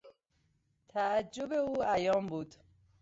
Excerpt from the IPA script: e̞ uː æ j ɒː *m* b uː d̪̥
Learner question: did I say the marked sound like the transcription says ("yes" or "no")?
yes